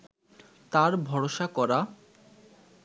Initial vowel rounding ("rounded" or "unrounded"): unrounded